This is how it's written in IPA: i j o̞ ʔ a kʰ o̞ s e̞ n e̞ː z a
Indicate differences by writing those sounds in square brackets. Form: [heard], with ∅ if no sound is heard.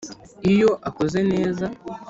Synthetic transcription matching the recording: i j o̞ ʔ a [k] o̞ [z] e̞ n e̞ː z a